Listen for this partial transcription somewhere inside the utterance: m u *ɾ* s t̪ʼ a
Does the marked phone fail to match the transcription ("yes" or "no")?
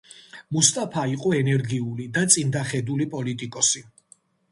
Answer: yes